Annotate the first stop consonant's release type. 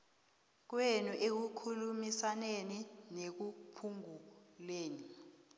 plain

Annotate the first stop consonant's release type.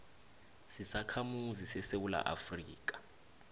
aspirated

